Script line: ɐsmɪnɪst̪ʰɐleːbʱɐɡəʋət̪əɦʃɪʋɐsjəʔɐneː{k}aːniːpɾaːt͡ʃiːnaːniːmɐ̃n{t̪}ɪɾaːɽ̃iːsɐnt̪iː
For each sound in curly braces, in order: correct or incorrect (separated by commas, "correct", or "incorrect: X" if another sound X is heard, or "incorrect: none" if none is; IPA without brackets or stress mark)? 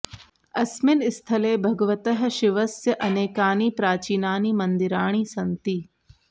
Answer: correct, incorrect: d̪